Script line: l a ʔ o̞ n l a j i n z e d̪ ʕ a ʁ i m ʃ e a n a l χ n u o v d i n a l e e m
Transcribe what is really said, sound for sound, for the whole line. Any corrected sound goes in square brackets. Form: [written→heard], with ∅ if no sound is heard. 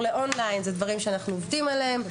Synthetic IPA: l [a→e] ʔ o̞ n l a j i n z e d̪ [ʕ→v] a ʁ i m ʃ e a n a [l→∅] χ n u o v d i [n→m] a l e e m

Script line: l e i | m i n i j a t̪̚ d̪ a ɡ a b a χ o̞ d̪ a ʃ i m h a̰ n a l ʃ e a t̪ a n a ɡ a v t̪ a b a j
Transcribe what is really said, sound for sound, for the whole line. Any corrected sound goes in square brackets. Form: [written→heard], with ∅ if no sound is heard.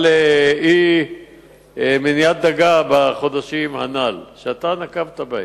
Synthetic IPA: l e i | m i n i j a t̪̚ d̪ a ɡ a b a χ o̞ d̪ a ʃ i m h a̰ n a l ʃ e a t̪ a n a [ɡ→k] a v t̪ a b a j

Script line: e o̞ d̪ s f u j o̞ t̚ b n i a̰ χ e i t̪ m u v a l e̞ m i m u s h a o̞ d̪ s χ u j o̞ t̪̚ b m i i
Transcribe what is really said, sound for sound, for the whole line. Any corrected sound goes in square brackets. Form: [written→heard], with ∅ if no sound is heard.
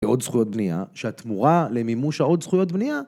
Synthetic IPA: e o̞ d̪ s [f→χ] u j o̞ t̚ b n i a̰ [χ→ʃ] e [i→a] t̪ m u [v→ʁ] a l e̞ m i m u [s→ʃ] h a o̞ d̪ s χ u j o̞ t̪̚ b [m→n] i [i→a]

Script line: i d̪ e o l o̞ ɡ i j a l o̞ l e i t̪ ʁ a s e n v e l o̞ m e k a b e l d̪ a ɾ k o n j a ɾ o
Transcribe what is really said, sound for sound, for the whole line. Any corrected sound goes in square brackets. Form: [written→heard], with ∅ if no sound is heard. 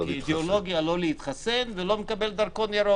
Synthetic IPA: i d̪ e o l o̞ ɡ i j a l o̞ l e i t̪ [ʁ→χ] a s e n v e l o̞ m e k a b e l d̪ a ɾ k o n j a ɾ o

